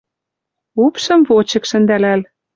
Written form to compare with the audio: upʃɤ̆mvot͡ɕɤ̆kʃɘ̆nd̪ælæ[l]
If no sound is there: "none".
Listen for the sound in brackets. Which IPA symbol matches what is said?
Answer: l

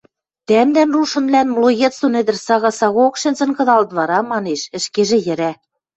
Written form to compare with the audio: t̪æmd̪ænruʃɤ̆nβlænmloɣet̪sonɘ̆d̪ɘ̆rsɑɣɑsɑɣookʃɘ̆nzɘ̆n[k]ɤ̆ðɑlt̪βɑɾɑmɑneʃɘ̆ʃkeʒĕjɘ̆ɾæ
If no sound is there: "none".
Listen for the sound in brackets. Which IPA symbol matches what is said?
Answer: k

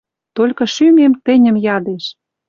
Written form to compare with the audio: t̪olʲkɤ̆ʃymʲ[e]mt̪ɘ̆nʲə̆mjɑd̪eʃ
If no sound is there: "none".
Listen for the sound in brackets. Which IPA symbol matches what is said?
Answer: e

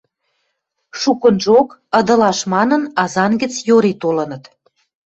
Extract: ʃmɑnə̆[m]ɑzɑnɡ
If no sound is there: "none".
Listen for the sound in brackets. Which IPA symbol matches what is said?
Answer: n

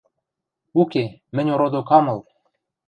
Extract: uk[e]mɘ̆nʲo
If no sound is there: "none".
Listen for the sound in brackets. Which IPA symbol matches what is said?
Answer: e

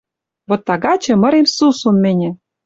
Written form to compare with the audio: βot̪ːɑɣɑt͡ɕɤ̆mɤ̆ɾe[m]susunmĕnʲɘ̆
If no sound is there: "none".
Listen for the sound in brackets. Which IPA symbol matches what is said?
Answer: m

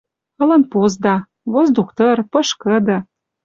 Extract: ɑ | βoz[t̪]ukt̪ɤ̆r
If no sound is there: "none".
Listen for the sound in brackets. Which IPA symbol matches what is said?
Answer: d̪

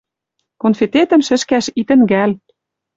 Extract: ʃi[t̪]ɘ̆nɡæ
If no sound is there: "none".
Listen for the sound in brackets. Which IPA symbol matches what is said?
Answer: t̪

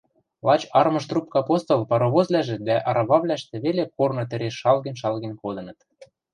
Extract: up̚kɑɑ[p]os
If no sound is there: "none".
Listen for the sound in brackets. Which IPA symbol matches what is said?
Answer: p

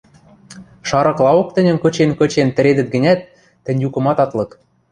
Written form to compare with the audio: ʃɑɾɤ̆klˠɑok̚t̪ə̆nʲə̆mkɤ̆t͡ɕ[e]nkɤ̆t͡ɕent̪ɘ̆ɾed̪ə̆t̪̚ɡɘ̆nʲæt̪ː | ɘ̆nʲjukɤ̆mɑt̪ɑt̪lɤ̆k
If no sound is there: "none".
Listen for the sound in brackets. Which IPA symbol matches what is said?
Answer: e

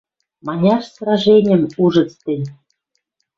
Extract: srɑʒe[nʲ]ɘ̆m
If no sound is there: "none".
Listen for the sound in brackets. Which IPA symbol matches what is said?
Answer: nʲ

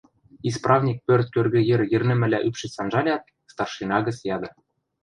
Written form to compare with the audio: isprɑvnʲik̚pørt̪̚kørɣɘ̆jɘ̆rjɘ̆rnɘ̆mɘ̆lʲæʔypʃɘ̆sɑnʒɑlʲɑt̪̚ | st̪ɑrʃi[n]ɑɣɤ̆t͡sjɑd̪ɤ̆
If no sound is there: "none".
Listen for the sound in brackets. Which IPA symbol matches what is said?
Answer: n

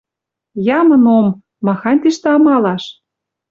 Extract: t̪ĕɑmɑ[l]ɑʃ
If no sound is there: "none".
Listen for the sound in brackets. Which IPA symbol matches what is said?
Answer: l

